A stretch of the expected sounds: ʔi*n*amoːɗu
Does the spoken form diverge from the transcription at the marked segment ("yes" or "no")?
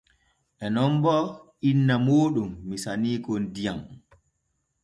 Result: yes